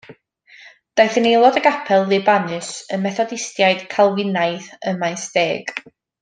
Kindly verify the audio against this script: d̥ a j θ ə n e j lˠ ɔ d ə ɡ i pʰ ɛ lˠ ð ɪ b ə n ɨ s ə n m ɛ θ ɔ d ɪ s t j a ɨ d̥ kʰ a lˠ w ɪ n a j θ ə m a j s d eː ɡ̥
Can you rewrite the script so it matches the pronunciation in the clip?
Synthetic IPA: d̥ a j θ ə n e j lˠ ɔ d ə ɡ a pʰ ɛ lˠ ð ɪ b a n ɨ s ə n m ɛ θ ɔ d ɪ s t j a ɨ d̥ kʰ a lˠ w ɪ n a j θ ə m a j s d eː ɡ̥